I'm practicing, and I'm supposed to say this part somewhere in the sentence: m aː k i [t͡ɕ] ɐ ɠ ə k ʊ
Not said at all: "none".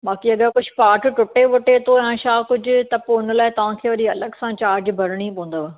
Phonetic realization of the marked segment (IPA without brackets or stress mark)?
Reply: none